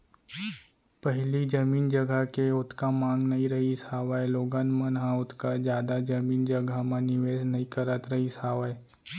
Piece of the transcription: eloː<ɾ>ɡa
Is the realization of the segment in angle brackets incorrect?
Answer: yes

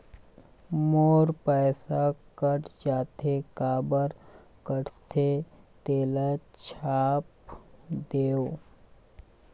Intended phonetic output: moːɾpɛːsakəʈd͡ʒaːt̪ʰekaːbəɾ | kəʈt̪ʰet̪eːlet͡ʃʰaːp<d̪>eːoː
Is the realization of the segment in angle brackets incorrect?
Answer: no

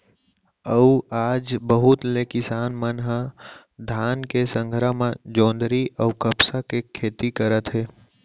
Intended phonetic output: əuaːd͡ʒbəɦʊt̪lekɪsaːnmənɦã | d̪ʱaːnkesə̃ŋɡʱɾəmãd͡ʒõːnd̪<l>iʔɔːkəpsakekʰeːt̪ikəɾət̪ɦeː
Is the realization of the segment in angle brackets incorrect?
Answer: yes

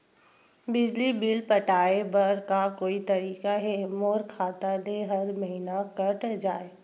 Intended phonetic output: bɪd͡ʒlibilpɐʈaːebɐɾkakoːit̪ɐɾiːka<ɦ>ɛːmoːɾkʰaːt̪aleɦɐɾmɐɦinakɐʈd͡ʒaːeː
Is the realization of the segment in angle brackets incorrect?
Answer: no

